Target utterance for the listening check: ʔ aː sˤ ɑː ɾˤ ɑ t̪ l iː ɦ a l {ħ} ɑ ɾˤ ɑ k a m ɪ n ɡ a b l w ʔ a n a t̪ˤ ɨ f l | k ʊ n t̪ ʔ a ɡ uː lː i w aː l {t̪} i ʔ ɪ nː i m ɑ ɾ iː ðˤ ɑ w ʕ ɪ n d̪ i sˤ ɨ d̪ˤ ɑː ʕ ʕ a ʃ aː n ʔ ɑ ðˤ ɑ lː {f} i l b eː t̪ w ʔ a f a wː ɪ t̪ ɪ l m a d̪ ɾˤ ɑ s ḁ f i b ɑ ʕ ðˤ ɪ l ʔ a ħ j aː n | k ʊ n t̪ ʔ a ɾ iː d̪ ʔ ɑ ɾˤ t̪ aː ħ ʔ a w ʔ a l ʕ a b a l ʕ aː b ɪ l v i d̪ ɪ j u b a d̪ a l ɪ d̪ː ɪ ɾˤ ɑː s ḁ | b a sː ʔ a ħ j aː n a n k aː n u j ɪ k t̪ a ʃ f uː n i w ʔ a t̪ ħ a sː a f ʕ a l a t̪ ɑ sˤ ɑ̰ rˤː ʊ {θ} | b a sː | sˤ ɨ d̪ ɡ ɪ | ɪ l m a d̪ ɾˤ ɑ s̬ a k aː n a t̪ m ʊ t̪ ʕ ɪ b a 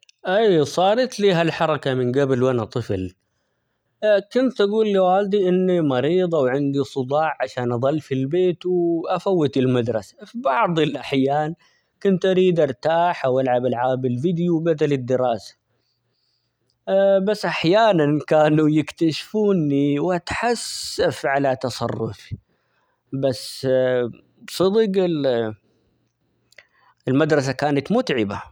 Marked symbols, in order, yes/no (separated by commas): yes, no, yes, no